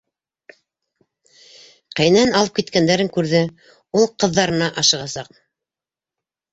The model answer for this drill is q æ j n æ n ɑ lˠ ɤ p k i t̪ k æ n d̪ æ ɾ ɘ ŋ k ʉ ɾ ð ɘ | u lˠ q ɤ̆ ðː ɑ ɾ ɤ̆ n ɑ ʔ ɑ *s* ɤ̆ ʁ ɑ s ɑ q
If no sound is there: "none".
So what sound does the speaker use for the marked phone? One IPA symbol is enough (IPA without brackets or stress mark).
ʃ